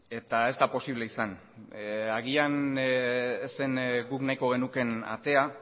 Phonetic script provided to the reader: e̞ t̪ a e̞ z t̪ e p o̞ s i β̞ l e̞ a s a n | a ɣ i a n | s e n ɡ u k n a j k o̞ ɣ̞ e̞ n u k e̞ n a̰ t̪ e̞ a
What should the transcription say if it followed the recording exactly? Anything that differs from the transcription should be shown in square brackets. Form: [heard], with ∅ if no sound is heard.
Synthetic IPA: e̞ t̪ a e̞ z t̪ [a] p o̞ s i β̞ l e̞ [i] s a n | a ɣ i a n | s e n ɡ u k n a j k o̞ ɣ̞ e̞ n u k e̞ n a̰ t̪ e̞ a